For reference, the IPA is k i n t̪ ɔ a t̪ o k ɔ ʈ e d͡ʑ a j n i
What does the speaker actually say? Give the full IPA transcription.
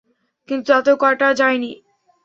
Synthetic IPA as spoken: k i n t̪ u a t̪ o k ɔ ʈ a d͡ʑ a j n i